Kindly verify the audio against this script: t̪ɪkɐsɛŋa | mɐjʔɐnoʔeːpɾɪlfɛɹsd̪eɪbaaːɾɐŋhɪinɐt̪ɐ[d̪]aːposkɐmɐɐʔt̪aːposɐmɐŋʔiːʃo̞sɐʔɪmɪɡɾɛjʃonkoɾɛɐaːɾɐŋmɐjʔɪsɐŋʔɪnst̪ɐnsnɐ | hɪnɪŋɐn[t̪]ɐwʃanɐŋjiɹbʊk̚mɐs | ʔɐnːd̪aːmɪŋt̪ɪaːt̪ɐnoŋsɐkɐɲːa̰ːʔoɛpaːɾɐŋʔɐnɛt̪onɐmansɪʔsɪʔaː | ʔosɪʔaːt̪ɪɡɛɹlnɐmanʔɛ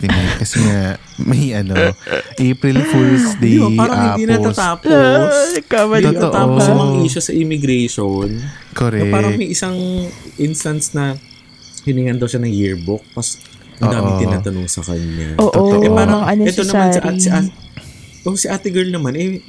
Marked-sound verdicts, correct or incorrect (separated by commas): incorrect, incorrect